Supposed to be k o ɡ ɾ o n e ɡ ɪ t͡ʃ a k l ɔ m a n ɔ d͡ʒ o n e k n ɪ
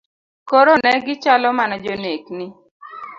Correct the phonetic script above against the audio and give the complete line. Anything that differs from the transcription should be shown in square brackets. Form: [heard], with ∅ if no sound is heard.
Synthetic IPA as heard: k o [∅] ɾ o n [ɛ] ɡ ɪ t͡ʃ a [∅] l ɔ m a n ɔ d͡ʒ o n e k n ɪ